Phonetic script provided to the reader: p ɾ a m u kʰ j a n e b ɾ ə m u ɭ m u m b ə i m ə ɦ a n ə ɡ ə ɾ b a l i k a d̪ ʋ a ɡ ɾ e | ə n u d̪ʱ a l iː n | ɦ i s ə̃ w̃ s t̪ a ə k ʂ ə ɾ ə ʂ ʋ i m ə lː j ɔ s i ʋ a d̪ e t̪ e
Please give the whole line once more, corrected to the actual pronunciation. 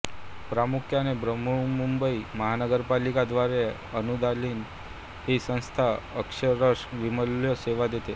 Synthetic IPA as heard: p ɾ a m u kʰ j a n e b ɾ ə m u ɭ m u m b ə i m ə ɦ a n ə ɡ ə ɾ p a l i k a d̪ ʋ a ɾ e | ə n u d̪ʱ a l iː n | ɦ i s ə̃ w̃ s t̪ʰ a ə k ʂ ə ɾ ə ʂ ʋ i m ə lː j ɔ s e ʋ a d̪ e t̪ e